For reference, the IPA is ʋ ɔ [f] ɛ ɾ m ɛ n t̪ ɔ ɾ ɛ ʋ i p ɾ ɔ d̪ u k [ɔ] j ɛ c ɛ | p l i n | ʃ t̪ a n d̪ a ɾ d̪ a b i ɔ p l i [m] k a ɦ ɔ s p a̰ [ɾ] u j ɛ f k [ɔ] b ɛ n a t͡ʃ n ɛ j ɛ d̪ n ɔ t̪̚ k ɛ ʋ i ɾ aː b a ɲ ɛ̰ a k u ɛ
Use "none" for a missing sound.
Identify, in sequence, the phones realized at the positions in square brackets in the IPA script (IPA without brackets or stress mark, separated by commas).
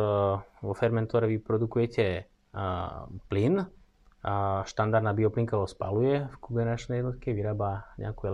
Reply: f, u, ŋ, l, u